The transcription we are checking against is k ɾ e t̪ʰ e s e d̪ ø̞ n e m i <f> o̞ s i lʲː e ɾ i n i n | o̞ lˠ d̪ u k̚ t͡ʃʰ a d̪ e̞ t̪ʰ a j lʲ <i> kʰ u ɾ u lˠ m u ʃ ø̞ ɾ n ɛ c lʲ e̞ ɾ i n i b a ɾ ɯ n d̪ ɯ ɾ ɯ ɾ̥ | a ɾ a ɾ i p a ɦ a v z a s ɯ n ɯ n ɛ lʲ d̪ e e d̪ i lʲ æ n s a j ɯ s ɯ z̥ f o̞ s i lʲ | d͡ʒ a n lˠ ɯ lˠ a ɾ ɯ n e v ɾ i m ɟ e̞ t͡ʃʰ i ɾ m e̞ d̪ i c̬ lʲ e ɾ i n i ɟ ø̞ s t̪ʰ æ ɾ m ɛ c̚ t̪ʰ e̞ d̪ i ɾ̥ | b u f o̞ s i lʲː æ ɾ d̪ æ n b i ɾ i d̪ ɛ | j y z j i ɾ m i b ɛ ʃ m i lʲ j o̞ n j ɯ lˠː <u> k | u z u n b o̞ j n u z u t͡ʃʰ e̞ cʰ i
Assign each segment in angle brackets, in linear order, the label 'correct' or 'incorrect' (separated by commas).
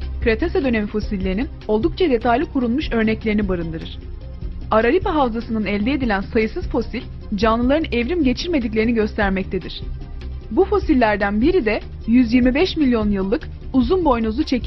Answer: correct, correct, incorrect